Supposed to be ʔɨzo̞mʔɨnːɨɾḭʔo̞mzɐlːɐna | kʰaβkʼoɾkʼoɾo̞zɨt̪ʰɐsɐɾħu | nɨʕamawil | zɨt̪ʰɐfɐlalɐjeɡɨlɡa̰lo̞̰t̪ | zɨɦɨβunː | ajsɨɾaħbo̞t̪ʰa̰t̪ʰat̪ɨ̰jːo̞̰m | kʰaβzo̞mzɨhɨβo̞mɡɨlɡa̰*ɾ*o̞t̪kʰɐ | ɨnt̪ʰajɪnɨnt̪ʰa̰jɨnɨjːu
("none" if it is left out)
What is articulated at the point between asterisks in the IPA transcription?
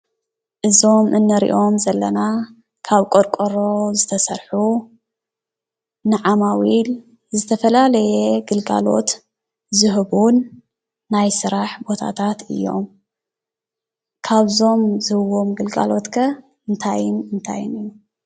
l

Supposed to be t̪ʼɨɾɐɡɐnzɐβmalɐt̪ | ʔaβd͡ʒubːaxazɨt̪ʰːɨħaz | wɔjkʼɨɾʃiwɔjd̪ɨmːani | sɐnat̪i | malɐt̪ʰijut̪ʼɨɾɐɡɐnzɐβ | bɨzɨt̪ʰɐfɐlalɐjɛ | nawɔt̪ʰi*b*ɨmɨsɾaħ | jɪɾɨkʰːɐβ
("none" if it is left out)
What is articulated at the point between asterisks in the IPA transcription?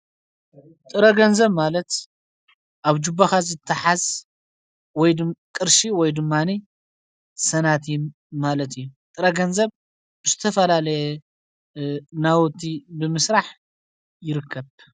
b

